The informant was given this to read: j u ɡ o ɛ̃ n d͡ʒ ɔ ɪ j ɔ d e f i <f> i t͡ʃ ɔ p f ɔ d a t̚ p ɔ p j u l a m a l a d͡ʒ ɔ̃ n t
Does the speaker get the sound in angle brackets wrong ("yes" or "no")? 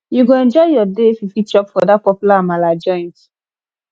no